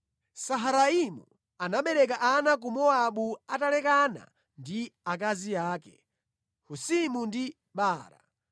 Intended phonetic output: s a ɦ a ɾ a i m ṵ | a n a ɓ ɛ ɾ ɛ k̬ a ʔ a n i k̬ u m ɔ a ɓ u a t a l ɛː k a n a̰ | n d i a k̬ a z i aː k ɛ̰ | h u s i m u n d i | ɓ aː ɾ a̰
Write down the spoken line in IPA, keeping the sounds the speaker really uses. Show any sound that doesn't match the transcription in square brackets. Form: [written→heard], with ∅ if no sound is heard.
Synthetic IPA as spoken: s a ɦ a ɾ a i m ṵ | a n a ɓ ɛ ɾ ɛ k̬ a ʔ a n [i→a] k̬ u m ɔ a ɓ u a t a l [ɛː→ɛ] k a n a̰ | n d i a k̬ a z i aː k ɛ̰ | h u s i m u n d i | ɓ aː ɾ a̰